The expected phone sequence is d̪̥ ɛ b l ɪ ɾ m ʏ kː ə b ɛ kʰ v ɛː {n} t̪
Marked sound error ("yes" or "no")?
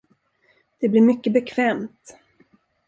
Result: yes